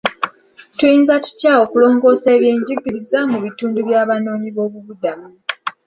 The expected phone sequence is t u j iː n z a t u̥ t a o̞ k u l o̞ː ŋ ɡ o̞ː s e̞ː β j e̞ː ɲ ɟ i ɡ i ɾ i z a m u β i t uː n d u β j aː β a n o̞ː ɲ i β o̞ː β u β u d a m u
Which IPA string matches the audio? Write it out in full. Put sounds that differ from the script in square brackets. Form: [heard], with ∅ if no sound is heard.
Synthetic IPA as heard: t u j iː n z a t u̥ [c] a o̞ k u l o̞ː ŋ ɡ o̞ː s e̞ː β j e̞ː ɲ ɟ i ɡ i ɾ i z a m u β i t uː n d u β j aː β a n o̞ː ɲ i β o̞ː β u β u d a m u